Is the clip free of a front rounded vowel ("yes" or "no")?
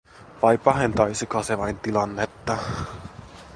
yes